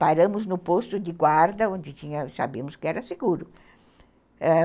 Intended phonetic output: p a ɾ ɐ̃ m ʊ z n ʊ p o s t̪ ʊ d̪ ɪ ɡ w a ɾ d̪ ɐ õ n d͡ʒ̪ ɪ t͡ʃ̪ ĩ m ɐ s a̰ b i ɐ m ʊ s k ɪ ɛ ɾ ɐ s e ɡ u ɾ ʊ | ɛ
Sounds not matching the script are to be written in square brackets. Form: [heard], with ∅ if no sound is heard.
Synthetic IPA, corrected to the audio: p a ɾ ɐ̃ m ʊ z n ʊ p o s t̪ ʊ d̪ ɪ ɡ w a ɾ d̪ ɐ õ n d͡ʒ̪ ɪ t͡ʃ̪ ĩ [ɲ] ɐ s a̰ b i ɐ m ʊ s k ɪ ɛ ɾ ɐ s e ɡ u ɾ ʊ | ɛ